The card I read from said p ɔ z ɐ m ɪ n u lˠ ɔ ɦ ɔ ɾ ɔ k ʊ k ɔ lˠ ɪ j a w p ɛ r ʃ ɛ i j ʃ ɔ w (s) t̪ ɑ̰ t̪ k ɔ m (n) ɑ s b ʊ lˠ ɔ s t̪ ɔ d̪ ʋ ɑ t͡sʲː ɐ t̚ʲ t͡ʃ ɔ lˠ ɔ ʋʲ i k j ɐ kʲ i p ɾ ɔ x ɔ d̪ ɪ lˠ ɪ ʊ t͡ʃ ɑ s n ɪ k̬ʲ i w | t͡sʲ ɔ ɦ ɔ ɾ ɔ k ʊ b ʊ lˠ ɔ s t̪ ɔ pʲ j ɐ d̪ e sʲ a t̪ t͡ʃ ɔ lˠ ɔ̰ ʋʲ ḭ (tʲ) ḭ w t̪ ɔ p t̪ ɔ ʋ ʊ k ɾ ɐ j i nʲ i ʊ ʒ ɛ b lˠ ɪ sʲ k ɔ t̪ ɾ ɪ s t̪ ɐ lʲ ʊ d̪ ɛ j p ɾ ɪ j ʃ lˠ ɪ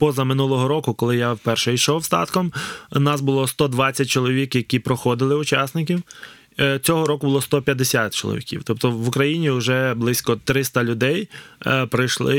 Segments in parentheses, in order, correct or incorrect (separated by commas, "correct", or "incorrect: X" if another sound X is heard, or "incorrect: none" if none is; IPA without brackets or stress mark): correct, correct, incorrect: kʲ